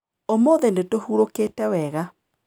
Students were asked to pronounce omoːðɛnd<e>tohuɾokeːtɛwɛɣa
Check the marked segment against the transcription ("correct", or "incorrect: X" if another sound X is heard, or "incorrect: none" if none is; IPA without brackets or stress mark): correct